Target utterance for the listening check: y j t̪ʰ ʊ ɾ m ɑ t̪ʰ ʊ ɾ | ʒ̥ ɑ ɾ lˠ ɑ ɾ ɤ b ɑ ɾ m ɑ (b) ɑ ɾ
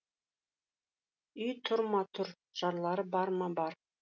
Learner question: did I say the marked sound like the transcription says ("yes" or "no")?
yes